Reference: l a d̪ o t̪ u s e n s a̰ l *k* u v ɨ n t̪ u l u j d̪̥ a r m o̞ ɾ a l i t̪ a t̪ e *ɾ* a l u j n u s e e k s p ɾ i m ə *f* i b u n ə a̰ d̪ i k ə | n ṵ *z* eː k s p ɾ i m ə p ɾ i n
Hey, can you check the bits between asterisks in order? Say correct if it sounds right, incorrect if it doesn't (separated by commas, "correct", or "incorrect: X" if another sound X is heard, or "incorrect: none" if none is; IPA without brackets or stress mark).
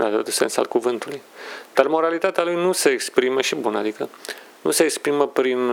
correct, incorrect: none, incorrect: ʃ, incorrect: s